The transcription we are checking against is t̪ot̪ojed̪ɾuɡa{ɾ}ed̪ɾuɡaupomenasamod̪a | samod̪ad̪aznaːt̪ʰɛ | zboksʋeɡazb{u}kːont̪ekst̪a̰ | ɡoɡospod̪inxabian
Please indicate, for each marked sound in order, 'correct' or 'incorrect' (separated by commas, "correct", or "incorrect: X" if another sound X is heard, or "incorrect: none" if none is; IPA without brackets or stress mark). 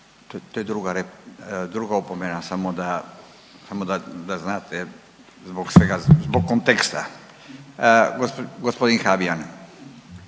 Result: correct, incorrect: o